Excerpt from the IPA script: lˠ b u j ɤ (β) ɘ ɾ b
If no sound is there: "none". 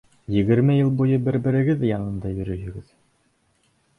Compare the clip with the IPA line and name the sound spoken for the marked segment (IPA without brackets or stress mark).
b